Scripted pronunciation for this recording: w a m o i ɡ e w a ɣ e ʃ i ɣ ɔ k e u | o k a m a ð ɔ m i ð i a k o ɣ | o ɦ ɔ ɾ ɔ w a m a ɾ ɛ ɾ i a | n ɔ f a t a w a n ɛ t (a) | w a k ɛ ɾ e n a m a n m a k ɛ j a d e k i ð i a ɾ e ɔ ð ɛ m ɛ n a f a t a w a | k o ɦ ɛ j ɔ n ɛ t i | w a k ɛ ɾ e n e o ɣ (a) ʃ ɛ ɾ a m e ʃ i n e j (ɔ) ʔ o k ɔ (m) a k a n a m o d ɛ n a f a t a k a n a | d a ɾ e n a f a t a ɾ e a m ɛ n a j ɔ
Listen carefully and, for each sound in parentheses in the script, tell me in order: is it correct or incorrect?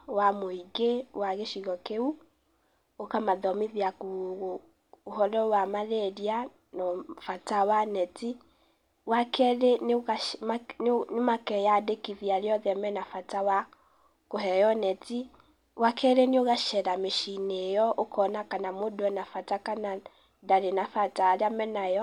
incorrect, correct, correct, incorrect

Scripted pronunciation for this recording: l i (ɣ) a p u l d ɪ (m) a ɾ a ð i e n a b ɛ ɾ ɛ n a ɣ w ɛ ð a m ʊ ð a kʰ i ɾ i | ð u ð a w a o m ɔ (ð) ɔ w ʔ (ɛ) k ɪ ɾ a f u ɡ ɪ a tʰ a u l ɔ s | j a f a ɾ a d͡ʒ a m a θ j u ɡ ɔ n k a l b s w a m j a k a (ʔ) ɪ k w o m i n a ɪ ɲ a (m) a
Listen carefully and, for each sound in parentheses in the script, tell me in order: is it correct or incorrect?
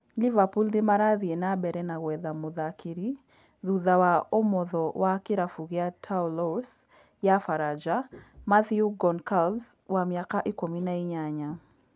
incorrect, correct, correct, incorrect, correct, incorrect

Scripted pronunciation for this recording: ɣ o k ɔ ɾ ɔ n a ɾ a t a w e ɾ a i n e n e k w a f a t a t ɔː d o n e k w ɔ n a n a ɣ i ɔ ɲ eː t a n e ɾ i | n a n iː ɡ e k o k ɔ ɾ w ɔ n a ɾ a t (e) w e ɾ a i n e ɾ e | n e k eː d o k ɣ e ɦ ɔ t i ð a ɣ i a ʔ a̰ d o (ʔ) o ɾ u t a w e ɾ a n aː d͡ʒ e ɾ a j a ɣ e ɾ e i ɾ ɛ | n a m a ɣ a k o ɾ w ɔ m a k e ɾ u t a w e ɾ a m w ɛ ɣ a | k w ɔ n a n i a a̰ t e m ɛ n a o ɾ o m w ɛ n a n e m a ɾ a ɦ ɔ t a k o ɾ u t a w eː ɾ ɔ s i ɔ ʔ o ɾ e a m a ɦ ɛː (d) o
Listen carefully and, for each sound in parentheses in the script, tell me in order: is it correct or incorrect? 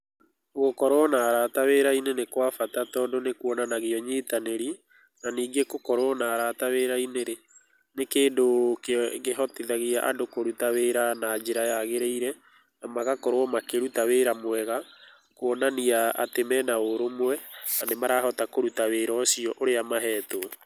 incorrect, incorrect, incorrect

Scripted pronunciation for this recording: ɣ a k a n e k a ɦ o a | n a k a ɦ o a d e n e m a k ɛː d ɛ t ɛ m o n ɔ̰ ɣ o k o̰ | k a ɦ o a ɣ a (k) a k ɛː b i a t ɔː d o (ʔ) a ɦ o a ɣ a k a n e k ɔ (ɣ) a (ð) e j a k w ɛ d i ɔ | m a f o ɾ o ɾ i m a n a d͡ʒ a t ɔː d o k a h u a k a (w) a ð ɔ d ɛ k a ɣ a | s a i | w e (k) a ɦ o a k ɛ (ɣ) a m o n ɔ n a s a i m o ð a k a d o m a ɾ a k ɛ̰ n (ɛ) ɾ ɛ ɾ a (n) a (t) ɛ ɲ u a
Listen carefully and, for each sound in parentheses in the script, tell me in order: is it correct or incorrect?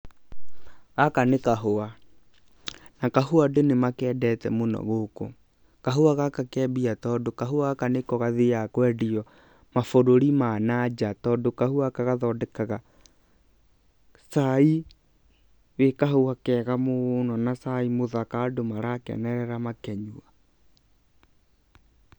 correct, incorrect, correct, correct, incorrect, correct, correct, correct, incorrect, incorrect

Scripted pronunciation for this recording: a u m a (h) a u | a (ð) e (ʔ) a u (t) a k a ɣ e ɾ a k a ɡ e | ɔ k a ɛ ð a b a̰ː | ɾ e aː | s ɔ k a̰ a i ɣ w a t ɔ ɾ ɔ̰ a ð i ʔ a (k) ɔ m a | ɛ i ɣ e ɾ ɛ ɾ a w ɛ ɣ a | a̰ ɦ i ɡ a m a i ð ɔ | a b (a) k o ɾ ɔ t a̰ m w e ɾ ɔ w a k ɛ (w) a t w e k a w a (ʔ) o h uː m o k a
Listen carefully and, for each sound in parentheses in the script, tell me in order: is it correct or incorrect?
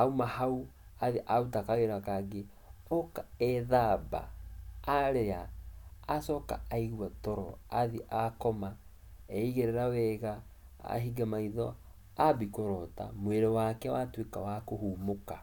correct, correct, correct, correct, correct, incorrect, correct, incorrect

